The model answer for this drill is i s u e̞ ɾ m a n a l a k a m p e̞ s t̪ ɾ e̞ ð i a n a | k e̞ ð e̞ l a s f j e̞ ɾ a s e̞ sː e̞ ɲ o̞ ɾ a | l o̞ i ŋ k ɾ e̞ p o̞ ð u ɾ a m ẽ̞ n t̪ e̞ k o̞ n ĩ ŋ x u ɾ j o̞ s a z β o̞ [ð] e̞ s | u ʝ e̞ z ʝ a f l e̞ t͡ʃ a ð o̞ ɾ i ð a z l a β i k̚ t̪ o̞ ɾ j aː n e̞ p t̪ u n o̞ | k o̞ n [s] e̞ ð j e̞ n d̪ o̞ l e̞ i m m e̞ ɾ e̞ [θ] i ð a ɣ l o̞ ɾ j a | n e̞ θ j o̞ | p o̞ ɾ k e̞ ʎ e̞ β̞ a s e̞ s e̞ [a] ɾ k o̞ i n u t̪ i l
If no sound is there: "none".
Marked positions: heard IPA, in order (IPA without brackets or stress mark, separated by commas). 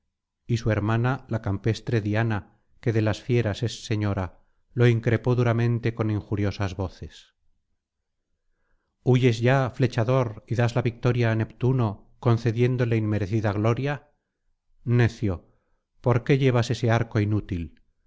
θ, θ, θ, a